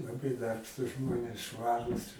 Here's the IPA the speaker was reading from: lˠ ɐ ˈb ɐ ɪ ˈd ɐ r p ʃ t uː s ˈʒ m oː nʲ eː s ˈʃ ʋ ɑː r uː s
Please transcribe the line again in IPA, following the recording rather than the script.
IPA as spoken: lˠ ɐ ˈb ɐ ɪ ˈd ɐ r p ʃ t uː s ˈʒ m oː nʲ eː s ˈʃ ʋ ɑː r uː s